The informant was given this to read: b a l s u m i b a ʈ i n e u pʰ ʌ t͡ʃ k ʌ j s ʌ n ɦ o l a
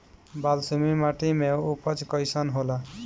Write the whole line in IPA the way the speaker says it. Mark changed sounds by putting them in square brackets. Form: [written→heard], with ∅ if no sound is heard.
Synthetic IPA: b a l s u m i [b→m] a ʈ i [n→m] e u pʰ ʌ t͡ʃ k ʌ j s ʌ n ɦ o l a